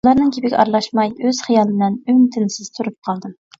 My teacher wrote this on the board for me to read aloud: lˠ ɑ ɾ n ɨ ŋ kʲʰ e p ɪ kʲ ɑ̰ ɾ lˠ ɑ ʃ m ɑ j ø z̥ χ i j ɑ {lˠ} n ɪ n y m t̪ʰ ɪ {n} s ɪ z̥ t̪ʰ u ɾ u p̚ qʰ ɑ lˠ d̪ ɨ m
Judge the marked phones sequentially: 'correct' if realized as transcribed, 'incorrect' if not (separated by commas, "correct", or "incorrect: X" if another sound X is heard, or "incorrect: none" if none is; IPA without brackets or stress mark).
correct, correct